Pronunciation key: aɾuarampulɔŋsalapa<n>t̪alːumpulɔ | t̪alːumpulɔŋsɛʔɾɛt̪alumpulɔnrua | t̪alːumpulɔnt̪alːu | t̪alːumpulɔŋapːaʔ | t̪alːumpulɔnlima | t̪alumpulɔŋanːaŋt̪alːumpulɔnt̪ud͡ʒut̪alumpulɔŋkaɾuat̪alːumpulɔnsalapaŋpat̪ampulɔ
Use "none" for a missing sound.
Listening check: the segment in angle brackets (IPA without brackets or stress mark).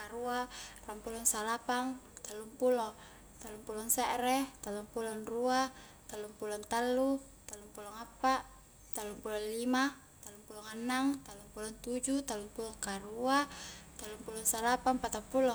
ŋ